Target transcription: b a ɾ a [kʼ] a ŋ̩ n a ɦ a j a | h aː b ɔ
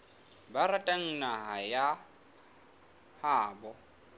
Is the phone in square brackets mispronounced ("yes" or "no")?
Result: yes